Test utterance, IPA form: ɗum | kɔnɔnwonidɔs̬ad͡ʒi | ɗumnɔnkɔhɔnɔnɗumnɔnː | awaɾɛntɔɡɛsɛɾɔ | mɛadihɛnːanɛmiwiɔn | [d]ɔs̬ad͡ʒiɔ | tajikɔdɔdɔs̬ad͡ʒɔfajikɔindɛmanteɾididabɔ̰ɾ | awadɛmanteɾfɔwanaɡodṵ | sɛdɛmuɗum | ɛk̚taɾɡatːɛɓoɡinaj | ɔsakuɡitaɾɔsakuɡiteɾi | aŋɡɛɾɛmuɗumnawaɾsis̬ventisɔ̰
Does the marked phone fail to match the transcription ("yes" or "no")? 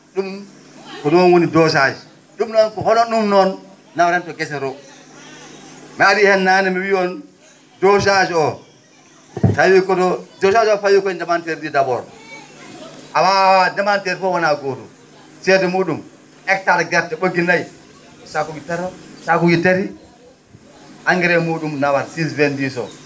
no